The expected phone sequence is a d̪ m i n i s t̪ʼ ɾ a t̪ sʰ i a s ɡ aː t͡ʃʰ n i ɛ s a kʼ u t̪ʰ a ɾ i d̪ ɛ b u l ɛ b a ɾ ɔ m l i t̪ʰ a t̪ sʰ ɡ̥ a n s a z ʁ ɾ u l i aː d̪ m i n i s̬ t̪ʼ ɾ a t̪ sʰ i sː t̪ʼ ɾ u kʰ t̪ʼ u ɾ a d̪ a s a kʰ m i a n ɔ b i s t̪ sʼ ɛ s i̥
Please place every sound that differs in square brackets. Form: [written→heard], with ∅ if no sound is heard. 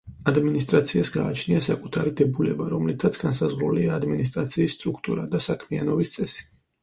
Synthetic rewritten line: a d̪ m i n i s t̪ʼ ɾ a t̪ sʰ i a s ɡ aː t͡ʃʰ n i [ɛ→a] s a kʼ u t̪ʰ a ɾ i d̪ ɛ b u l ɛ b a ɾ ɔ m l i t̪ʰ a t̪ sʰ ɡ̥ a n s a z ʁ ɾ u l i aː d̪ m i n i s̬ t̪ʼ ɾ a t̪ sʰ [i→iː] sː t̪ʼ ɾ u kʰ t̪ʼ u ɾ a d̪ a s a kʰ m i a n ɔ b i s t̪ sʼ ɛ s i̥